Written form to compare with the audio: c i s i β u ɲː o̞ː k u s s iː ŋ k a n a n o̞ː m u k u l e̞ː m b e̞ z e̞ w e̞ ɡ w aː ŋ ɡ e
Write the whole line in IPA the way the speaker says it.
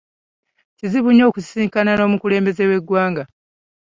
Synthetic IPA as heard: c i z i β u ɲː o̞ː k u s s iː ŋ k a n a n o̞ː m u k u l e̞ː m b e̞ z e̞ w e̞ ɡ w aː ŋ ɡ a